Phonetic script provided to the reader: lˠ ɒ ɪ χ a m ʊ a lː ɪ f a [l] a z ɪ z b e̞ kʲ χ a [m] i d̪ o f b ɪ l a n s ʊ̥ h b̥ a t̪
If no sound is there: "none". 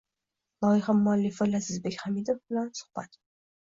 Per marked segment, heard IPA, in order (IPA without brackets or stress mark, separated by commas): l, m